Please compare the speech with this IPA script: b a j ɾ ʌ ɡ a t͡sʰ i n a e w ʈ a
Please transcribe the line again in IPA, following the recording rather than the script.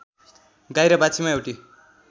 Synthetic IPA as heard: ɡ a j ɾ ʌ b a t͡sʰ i m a e w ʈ i